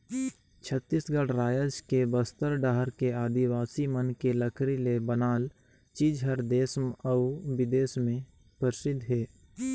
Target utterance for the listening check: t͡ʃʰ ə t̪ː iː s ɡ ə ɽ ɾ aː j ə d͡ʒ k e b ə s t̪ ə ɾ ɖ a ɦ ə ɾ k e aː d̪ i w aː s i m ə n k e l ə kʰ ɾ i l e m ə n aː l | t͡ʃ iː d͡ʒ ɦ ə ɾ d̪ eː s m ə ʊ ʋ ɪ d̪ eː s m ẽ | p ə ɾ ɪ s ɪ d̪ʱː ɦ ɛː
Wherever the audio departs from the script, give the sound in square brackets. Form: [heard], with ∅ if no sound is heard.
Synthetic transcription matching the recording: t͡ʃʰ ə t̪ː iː s ɡ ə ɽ ɾ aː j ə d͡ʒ k e b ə s t̪ ə ɾ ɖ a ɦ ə ɾ k e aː d̪ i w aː s i m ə n k e l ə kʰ ɾ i l e [b] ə n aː l | t͡ʃ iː d͡ʒ ɦ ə ɾ d̪ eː s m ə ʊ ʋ ɪ d̪ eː s m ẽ | p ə ɾ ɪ s ɪ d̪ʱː ɦ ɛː